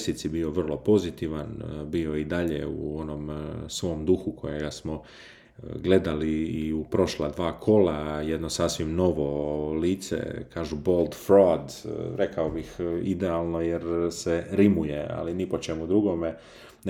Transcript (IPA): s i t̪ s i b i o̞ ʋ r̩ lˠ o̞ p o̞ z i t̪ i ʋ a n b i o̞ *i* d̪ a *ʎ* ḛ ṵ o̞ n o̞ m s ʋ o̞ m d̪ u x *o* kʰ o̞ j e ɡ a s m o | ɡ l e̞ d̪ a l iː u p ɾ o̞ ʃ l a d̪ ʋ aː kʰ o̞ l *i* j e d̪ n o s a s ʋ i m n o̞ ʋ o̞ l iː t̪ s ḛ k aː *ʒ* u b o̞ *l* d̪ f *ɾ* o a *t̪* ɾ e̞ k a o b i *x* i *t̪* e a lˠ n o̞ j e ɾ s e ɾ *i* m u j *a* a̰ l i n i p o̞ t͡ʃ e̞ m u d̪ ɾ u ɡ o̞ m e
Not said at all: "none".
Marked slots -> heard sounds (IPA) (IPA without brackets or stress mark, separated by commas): i, ʎ, u, a, ʒ, l, ɾ, d̪, x, d̪, i, e